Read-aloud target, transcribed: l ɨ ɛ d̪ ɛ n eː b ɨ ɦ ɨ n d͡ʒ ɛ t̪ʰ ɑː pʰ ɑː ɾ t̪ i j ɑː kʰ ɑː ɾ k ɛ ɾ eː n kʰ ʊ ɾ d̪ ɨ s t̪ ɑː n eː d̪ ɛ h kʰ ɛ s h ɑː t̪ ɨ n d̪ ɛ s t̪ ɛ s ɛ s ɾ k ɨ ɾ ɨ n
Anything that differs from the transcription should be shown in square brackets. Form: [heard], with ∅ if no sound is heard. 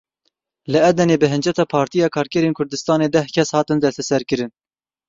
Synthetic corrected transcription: l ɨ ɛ d̪ ɛ n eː b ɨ ɦ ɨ n d͡ʒ ɛ [t̪] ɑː pʰ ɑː ɾ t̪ i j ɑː kʰ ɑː ɾ k ɛ ɾ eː n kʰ ʊ ɾ d̪ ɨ s t̪ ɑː n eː d̪ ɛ h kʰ ɛ s h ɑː t̪ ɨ n d̪ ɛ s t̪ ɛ s ɛ [∅] ɾ k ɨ ɾ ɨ n